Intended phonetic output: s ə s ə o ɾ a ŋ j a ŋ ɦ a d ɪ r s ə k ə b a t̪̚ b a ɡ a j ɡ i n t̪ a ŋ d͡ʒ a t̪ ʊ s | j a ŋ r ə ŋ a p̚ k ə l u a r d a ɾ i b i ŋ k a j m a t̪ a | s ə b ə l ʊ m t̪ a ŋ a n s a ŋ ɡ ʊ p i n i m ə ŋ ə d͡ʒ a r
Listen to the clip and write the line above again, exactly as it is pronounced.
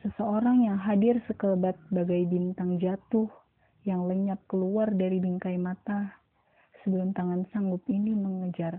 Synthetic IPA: s ə s ə o ɾ a ŋ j a ŋ ɦ a d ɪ r s ə k ə b a t̪̚ b a ɡ a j b i n t̪ a ŋ d͡ʒ a t̪ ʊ h | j a ŋ l ə ɲ a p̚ k ə l u a r d a ɾ i b i ŋ k a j m a t̪ a | s ə b ə l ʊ m t̪ a ŋ a n s a ŋ ɡ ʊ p i n i m ə ŋ ə d͡ʒ a r